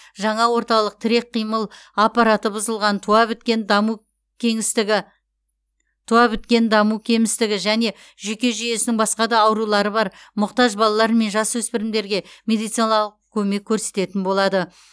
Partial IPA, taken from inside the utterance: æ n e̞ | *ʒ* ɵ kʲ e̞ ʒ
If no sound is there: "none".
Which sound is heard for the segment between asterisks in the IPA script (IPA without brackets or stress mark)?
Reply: ʒ